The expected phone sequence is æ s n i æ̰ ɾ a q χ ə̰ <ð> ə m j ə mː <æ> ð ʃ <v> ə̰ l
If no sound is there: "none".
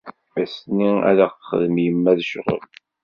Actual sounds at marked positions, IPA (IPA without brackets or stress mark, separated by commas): ð, æ, ʁ